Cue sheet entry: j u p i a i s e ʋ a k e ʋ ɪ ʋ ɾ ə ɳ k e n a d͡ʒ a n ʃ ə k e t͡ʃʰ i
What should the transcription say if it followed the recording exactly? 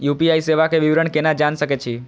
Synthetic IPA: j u p i a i s e ʋ a k e ʋ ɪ ʋ ɾ ə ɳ k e n a d͡ʒ a n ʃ ə k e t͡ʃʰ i